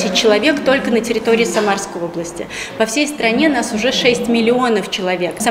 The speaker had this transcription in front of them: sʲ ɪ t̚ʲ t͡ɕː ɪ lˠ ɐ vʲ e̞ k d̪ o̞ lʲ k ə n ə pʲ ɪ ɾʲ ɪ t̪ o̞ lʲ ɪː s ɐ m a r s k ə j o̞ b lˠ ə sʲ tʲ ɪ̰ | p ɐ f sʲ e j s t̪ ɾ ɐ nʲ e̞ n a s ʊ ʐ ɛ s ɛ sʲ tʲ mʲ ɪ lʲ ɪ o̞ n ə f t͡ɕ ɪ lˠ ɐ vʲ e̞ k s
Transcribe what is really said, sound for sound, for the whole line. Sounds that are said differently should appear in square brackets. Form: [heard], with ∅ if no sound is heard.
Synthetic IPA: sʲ ɪ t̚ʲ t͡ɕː ɪ lˠ ɐ vʲ e̞ k [t̪] o̞ lʲ k ə n ə [tʲ] ɪ ɾʲ ɪ t̪ o̞ [ɾʲ] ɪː s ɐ m a r s k ə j o̞ b lˠ ə sʲ tʲ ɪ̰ | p ɐ f sʲ e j s t̪ ɾ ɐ nʲ e̞ n a s ʊ ʐ ɛ [ʂ] ɛ sʲ tʲ mʲ ɪ lʲ ɪ o̞ n ə f t͡ɕ ɪ lˠ ɐ vʲ e̞ k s